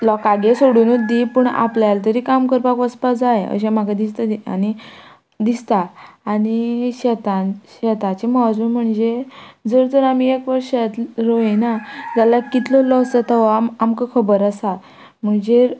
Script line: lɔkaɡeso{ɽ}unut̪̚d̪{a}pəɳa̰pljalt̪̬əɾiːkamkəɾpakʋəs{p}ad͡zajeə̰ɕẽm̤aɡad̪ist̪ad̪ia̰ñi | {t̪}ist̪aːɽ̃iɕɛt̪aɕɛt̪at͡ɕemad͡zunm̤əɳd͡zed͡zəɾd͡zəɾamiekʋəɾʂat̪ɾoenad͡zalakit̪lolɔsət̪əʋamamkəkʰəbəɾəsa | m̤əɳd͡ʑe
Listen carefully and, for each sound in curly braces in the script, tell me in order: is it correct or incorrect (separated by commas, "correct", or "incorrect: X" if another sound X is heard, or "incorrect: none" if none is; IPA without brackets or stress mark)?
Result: correct, incorrect: i, correct, incorrect: d̪